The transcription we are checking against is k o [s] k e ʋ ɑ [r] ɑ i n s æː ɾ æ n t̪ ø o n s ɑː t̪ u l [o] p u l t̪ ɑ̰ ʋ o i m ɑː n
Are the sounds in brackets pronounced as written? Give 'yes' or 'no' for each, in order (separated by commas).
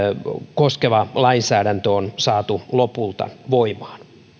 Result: yes, no, yes